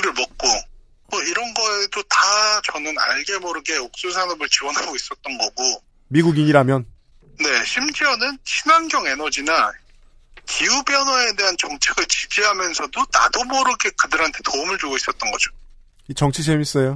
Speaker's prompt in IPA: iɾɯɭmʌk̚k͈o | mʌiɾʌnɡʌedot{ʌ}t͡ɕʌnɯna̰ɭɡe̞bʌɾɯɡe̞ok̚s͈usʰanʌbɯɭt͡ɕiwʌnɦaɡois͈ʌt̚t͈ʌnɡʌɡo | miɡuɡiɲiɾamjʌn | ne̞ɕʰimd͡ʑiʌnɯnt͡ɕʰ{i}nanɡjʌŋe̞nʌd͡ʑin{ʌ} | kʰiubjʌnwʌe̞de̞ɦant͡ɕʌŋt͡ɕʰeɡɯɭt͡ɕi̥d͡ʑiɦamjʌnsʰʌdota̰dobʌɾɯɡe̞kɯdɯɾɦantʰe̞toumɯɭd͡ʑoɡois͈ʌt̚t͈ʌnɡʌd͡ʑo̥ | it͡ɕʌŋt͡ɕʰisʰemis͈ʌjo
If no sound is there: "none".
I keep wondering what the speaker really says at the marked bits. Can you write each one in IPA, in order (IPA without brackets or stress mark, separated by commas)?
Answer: a, i, a